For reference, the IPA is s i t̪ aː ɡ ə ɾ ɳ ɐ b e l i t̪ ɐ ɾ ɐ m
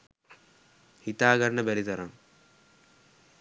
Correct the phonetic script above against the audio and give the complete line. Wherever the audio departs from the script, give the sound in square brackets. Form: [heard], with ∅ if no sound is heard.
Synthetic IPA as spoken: [h] i t̪ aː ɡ [ɐ] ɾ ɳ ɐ b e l i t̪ ɐ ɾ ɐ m